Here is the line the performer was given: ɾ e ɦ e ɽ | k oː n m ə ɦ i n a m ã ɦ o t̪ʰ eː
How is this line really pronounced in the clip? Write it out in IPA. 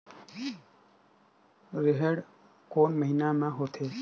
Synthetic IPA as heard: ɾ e ɦ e ɽ | k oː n m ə ɦ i n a m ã ɦ o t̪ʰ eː